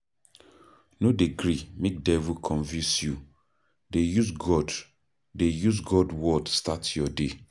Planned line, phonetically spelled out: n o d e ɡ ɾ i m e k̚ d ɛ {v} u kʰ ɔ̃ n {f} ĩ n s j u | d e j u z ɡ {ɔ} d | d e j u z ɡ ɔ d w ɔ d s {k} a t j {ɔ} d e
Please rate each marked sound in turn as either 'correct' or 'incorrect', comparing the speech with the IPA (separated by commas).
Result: correct, incorrect, correct, incorrect, correct